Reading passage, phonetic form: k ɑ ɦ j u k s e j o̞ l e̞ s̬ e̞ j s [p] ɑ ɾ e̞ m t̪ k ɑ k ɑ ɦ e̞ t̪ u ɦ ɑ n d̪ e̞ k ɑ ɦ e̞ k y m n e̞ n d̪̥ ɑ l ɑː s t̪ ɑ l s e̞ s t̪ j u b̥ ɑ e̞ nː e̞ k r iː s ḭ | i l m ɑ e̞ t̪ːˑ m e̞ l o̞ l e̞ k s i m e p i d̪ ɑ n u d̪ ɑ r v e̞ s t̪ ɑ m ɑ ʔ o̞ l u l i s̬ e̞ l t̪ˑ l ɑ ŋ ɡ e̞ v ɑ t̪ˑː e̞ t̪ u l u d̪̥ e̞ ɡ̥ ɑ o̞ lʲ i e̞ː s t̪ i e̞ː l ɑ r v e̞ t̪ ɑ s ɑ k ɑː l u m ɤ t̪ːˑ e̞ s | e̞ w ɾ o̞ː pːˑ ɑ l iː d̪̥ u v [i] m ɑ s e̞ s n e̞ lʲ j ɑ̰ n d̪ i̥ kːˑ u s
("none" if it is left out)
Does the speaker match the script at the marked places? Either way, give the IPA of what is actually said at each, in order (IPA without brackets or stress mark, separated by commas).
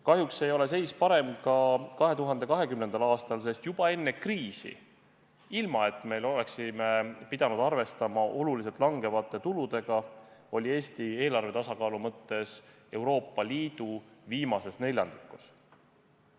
p, iː